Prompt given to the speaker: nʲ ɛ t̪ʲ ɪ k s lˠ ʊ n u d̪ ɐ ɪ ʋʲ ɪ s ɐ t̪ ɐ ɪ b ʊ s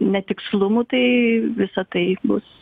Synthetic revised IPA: nʲ ɛ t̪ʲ ɪ k s lˠ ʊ m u t̪ ɐ ɪ ʋʲ ɪ s ɐ t̪ ɐ ɪ b ʊ s